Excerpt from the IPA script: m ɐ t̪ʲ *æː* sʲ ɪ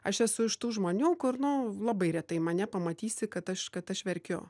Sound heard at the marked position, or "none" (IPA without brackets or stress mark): iː